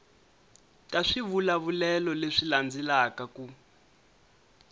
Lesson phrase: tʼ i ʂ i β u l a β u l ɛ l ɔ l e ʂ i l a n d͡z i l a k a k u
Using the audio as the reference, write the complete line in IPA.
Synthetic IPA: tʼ a ʂ i β u l a β u l ɛ l ɔ l e ʂ i l a n d͡z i l a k a k u